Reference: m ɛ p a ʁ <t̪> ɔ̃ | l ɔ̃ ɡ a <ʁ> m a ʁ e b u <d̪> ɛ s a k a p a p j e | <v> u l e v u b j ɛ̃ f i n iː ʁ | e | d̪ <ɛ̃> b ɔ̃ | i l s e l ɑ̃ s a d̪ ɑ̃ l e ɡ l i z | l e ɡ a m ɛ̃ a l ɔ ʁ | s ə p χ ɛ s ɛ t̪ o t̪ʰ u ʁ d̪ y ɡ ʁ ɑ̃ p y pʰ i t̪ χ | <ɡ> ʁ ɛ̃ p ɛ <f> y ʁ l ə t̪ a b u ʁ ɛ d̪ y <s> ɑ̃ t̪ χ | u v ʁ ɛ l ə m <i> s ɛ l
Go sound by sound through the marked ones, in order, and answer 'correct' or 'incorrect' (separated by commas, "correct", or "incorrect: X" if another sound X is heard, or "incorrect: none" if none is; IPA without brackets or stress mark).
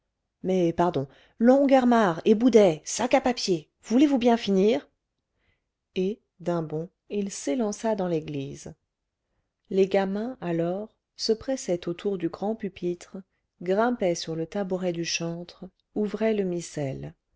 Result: incorrect: d̪, correct, correct, correct, correct, correct, incorrect: s, incorrect: ʃ, correct